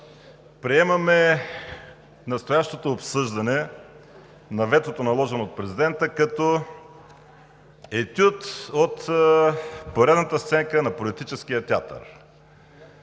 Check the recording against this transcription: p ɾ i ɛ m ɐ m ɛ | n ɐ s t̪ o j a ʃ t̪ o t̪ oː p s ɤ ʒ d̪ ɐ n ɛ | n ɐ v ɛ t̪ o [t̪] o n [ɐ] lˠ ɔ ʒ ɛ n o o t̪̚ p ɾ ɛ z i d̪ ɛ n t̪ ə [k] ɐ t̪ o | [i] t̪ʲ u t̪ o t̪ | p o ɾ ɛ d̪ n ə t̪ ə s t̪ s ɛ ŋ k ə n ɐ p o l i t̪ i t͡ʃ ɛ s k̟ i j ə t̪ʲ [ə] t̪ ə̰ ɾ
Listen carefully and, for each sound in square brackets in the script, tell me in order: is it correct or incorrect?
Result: correct, correct, correct, incorrect, incorrect

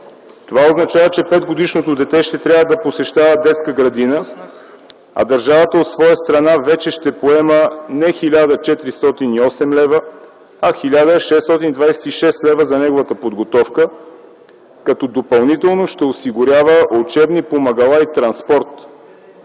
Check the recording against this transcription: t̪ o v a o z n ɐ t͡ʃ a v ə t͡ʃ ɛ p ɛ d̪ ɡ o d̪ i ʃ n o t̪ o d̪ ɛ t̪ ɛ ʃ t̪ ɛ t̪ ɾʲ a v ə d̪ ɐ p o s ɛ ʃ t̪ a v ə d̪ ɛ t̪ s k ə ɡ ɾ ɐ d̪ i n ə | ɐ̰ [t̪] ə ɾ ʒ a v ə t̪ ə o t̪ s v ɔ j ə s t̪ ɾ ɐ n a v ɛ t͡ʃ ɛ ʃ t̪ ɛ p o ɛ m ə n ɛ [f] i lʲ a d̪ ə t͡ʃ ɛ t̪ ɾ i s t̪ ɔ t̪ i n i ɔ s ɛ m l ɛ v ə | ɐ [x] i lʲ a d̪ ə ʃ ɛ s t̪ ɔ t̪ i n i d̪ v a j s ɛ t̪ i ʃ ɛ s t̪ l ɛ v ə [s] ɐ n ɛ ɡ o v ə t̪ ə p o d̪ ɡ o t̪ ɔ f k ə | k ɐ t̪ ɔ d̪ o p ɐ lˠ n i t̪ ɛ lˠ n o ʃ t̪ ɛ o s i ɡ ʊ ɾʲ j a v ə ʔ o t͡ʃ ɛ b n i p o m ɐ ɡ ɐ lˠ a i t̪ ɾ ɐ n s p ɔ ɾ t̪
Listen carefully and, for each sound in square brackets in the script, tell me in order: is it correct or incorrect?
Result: incorrect, incorrect, correct, incorrect

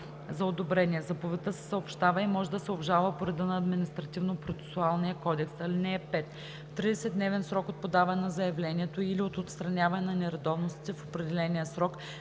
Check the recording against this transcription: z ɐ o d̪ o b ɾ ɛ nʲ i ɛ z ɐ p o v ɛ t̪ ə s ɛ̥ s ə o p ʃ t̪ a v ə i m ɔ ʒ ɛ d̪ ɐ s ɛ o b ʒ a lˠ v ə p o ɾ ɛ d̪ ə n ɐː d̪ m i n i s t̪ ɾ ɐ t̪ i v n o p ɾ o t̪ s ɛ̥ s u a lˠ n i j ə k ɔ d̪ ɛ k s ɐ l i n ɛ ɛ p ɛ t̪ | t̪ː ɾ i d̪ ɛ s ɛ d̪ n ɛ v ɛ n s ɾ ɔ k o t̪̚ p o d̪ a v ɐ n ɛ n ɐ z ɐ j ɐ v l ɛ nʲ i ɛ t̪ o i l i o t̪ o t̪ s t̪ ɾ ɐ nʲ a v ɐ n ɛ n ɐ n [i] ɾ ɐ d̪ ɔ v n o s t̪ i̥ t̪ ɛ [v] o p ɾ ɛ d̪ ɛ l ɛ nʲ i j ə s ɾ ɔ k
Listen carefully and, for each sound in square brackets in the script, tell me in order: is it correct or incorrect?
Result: incorrect, incorrect

